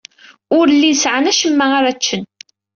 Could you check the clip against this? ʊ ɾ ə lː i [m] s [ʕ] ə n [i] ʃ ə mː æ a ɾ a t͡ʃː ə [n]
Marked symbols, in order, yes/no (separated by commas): no, yes, no, yes